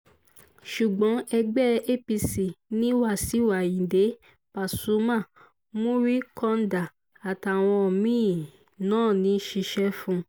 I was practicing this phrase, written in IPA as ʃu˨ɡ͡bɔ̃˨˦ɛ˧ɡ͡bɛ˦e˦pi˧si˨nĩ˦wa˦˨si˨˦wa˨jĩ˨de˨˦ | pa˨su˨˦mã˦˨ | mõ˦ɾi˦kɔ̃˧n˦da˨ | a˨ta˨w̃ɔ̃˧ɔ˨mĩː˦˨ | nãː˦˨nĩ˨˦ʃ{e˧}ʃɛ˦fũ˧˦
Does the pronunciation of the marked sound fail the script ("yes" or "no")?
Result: yes